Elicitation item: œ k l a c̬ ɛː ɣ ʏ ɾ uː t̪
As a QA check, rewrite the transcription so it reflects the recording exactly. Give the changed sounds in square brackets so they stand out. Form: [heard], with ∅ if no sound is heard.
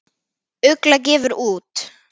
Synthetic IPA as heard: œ k l a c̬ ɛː [v] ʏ ɾ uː t̪